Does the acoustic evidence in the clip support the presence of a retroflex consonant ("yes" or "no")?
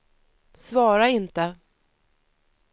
no